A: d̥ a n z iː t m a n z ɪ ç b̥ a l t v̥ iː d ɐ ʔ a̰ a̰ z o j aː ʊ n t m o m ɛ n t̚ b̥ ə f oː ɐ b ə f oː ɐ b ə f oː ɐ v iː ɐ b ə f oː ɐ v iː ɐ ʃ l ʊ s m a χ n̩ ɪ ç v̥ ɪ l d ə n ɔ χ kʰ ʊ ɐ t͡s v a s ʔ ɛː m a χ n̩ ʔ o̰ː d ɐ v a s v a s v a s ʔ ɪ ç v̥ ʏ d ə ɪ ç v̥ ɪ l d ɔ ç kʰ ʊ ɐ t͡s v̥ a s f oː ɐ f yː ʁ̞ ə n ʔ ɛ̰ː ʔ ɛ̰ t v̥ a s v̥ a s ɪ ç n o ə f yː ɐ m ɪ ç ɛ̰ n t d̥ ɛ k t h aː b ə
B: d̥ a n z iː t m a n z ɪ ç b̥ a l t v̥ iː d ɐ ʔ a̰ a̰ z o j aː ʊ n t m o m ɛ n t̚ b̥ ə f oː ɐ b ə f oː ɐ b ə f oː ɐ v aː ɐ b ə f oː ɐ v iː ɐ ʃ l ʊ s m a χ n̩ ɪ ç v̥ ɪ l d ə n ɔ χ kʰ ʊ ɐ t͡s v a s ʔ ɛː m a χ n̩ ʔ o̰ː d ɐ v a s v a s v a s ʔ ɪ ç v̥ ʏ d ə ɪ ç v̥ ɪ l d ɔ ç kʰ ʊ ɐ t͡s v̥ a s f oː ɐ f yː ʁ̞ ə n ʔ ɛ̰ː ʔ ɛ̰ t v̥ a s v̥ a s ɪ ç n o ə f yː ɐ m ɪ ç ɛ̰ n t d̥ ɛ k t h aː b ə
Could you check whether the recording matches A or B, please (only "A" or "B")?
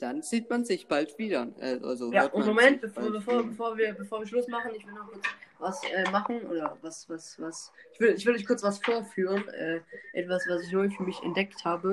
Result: A